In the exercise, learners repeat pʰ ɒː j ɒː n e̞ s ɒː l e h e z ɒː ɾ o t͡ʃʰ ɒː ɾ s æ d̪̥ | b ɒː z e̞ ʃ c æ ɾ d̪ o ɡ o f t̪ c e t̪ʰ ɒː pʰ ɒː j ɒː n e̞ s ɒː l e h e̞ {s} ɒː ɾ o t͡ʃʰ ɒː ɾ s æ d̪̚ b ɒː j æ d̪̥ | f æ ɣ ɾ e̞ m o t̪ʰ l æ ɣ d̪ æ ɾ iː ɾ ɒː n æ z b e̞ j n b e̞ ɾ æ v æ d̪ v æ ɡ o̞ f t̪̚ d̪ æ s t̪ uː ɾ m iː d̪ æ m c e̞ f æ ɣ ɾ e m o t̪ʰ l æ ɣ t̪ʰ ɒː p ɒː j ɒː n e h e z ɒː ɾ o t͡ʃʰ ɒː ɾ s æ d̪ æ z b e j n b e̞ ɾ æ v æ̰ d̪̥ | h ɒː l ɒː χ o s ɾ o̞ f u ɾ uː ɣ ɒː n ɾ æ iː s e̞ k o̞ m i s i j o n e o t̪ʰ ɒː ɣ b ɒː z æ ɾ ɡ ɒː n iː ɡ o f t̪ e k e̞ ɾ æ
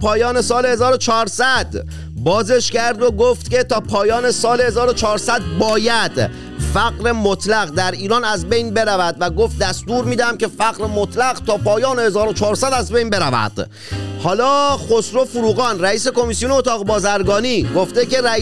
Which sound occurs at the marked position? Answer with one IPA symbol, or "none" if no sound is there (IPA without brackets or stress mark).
z